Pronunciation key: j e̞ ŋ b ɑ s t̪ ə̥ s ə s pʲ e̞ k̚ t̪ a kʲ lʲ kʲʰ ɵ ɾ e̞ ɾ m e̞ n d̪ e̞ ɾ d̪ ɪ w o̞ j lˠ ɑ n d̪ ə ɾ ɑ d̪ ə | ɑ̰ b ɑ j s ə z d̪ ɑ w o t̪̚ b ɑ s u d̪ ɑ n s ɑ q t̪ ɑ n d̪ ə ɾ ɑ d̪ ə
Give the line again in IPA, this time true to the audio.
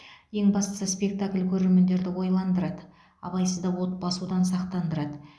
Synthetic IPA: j e̞ ŋ b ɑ s t̪ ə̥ s ə s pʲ e̞ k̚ t̪ a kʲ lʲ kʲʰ ɵ ɾ e̞ ɾ m e̞ n d̪ e̞ ɾ d̪ ɪ w o̞ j lˠ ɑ n d̪ ə ɾ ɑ d̪ ə | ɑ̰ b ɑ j s ə z d̪ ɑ w o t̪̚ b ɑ s u d̪ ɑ n s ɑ q t̪ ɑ n d̪ ə ɾ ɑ d̪ ə

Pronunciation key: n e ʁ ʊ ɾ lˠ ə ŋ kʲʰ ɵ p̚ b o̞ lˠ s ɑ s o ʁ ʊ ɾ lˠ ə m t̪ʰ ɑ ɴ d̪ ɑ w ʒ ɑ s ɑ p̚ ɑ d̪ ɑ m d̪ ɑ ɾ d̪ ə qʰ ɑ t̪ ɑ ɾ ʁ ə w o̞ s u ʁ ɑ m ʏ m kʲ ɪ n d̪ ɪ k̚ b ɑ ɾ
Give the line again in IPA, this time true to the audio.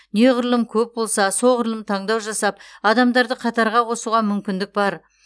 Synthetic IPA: n e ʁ ʊ ɾ lˠ ə m kʲʰ ɵ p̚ b o̞ lˠ s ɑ s o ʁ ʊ ɾ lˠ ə m t̪ʰ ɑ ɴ d̪ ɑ w ʒ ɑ s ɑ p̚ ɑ d̪ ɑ m d̪ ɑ ɾ d̪ ə qʰ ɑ t̪ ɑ ɾ ʁ ɑ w o̞ s u ʁ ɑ m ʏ m kʲ ɪ n d̪ ɪ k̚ b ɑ ɾ

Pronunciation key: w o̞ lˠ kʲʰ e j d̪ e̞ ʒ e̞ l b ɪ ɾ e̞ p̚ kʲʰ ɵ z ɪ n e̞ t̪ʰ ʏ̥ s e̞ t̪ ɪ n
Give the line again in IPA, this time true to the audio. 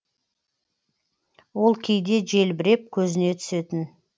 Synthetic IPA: w o̞ lˠ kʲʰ e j d̪ e̞ ʒ e̞ l b ɪ ɾ e̞ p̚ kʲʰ ɵ z ɪ n e̞ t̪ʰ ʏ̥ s e̞ t̪ ɪ n

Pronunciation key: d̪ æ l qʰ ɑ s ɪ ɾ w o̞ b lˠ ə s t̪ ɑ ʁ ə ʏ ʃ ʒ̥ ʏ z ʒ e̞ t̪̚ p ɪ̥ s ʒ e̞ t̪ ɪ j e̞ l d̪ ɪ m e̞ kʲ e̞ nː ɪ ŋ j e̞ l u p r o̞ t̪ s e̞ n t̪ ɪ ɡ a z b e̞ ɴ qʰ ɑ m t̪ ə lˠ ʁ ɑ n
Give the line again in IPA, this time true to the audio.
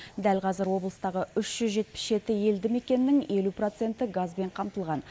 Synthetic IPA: d̪ æ l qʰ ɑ z ɪ ɾ w o̞ b lˠ ə s t̪ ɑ ʁ ə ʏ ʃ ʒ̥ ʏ z ʒ e̞ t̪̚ p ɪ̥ s ʒ e̞ t̪ ɪ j e̞ l d̪ ɪ m e̞ kʲ e̞ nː ɪ ŋ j e̞ l u p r o̞ t̪ s e̞ n t̪ ɪ ɡ a z b e̞ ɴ qʰ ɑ m t̪ ə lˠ ʁ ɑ n

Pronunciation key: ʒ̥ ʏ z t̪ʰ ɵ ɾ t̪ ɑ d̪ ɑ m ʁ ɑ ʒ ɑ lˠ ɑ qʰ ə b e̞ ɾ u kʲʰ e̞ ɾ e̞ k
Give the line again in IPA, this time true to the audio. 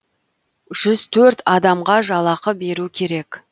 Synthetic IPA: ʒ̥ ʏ z t̪ʰ ɵ ɾ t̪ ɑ d̪ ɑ m ʁ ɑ ʒ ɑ lˠ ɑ q ə b e̞ ɾ u kʲʰ e̞ ɾ e̞ k

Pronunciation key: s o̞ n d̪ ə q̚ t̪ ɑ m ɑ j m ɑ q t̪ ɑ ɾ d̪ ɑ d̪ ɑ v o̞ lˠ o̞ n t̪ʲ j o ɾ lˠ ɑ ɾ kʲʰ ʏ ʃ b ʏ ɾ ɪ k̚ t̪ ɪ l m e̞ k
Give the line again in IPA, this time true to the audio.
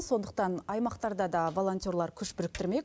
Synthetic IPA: s o̞ n d̪ ə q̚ t̪ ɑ n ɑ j m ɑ q t̪ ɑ ɾ d̪ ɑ d̪ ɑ v o̞ lˠ o̞ n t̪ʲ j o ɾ lˠ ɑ ɾ kʲʰ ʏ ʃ b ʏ ɾ ɪ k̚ t̪ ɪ ɾ m e̞ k

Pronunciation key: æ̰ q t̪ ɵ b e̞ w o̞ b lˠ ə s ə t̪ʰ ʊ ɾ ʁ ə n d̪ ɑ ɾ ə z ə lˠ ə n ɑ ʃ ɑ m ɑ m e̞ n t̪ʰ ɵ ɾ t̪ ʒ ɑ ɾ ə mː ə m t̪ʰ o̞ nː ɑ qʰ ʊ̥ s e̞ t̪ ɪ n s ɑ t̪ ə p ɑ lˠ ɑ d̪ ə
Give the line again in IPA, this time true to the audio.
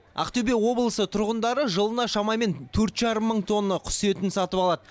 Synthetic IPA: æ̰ q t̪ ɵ b e̞ w o̞ b lˠ ə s ə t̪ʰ ʊ ɾ ʁ ə n d̪ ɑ ɾ ə ʒ ə lˠ ə n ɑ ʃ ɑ m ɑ m e̞ n t̪ʰ ɵ ɾ t̪ ʒ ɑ ɾ ə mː ə ɴ t̪ʰ o̞ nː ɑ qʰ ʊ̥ s e̞ t̪ ɪ n s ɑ t̪ ə p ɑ lˠ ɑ d̪ ə

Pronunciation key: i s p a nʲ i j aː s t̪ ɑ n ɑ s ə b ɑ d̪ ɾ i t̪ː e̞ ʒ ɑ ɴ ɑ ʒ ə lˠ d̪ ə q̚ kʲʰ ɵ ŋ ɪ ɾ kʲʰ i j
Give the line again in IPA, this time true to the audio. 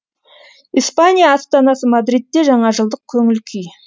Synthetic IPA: i s p a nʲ i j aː s t̪ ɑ n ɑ s ə m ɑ d̪ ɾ i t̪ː e̞ ʒ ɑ ɴ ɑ ʒ ə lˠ d̪ ə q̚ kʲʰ ɵ ŋ ɪ l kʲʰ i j

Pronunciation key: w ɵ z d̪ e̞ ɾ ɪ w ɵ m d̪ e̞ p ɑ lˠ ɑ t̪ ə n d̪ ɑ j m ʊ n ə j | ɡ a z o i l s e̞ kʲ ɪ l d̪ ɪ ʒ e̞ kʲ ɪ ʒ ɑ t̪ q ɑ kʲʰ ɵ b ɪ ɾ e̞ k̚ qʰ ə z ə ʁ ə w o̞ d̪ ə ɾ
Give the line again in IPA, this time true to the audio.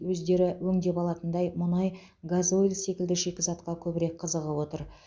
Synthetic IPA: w ɵ z d̪ e̞ ɾ ɪ w ɵ ŋ d̪ e̞ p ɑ lˠ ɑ t̪ ə n d̪ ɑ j m ʊ n ɑ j | ɡ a z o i l s e̞ kʲ ɪ l d̪ ɪ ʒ e̞ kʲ ɪ z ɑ t̪ q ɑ kʲʰ ɵ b ɪ ɾ e̞ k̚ qʰ ə z ə ʁ ə w o̞ t̪ ə ɾ

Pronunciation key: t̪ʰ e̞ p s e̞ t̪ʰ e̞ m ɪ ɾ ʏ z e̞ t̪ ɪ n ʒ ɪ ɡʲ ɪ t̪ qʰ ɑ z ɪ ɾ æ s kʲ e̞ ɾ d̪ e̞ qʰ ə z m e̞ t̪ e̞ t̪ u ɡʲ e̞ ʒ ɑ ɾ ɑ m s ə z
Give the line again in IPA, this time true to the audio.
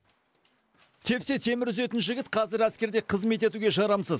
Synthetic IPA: t̪ʰ e̞ p s e̞ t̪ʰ e̞ m ɪ ɾ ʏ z e̞ t̪ ɪ n ʒ ɪ ɡʲ ɪ t̪ qʰ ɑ z ɪ ɾ æ s kʲ e̞ ɾ d̪ e̞ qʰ ə z m e̞ t̪ e̞ t̪ u ɡʲ e̞ ʒ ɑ ɾ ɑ m s ə z

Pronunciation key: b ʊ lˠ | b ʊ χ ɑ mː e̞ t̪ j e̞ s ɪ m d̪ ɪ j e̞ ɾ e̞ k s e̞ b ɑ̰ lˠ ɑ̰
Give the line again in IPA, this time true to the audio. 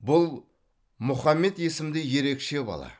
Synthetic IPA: b ʊ lˠ | m ʊ χ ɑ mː e̞ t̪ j e̞ s ɪ m d̪ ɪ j e̞ ɾ e̞ k ʃ e̞ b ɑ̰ lˠ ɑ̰

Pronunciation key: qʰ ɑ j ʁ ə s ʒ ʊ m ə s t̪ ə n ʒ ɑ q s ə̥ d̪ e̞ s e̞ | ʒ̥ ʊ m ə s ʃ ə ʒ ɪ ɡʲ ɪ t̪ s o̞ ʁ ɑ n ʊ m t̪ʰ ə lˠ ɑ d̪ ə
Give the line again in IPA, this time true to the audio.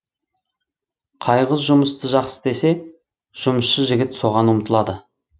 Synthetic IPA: qʰ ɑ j ʁ ə z ʒ ʊ m ə s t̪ ə ʒ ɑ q s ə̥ d̪ e̞ s e̞ | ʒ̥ ʊ m ə s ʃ ə ʒ ɪ ɡʲ ɪ t̪ s o̞ ʁ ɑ n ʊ m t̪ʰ ə lˠ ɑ d̪ ə

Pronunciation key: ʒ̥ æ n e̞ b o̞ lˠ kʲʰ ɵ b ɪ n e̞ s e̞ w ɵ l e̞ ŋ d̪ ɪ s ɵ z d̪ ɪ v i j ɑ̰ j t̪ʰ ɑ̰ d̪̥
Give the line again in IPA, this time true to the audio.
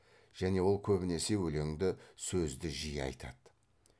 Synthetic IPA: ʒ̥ æ n e̞ w o̞ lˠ kʲʰ ɵ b ɪ n e̞ s e̞ w ɵ l e̞ ŋ d̪ ɪ s ɵ z d̪ ɪ ʒ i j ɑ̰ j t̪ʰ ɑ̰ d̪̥

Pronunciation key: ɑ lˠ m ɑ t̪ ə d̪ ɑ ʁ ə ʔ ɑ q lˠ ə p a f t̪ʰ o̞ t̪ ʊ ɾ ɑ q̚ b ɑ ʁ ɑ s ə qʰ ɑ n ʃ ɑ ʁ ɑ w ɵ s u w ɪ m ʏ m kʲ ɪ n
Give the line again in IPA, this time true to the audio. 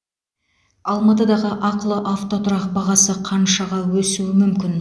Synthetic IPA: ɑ lˠ m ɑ t̪ ə d̪ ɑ ʁ ə ʔ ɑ q lˠ ə ʔ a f t̪ o̞ t̪ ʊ ɾ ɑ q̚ b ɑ ʁ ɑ s ə qʰ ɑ n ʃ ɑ ʁ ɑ w ɵ s u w ɪ m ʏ m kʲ ɪ n

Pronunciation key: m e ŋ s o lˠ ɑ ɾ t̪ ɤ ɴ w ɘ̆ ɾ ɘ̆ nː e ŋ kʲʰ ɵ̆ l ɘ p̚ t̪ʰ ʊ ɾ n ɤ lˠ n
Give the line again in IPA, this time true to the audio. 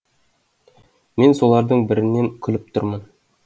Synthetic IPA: m e n s o lˠ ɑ ɾ d̪ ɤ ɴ b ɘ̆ ɾ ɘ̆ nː e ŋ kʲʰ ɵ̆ l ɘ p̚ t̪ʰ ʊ ɾ m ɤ n

